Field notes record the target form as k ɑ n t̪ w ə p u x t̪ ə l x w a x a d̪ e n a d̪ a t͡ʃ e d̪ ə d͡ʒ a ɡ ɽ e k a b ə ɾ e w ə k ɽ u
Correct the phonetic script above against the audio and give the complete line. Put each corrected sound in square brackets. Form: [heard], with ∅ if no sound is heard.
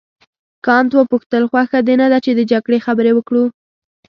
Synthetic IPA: k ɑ n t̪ w ə p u x t̪ ə l x w a x a d̪ e n a d̪ a t͡ʃ e d̪ ə d͡ʒ a ɡ ɽ e [x] a b ə ɾ e w ə k ɽ u